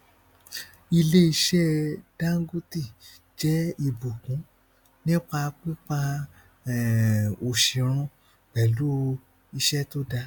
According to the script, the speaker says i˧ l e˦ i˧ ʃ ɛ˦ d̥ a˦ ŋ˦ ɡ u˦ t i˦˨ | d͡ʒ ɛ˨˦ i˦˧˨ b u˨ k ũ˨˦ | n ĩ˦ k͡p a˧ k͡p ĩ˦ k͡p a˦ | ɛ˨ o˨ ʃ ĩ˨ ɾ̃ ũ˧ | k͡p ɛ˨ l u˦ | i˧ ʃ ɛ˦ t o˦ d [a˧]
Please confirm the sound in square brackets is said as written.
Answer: yes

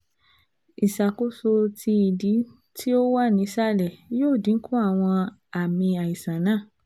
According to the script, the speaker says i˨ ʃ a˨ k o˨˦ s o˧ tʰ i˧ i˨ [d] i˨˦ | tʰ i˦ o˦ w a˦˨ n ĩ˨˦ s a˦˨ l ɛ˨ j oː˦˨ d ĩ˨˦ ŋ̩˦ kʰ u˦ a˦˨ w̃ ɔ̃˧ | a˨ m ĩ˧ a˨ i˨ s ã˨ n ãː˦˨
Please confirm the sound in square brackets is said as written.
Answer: yes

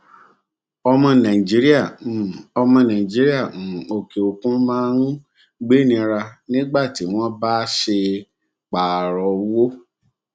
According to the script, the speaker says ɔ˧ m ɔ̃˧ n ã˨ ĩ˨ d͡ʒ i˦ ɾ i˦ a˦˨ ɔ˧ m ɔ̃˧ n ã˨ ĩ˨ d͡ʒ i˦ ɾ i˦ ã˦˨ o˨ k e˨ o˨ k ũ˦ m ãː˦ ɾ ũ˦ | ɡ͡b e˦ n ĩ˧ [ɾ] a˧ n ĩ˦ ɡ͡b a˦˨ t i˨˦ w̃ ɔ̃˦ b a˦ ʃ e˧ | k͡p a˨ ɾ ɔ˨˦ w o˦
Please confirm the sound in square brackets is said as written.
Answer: yes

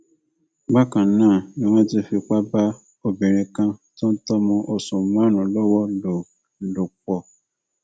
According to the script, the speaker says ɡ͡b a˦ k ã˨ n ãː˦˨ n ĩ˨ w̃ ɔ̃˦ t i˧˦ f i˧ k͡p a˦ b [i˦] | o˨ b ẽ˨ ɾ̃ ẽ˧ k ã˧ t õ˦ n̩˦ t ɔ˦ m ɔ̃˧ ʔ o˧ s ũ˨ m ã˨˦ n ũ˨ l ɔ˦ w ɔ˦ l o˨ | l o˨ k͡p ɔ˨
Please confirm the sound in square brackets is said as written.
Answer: no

